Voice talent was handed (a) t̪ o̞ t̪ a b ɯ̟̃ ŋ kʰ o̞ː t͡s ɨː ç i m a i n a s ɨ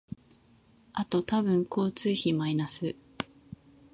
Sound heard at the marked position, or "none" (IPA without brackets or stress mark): a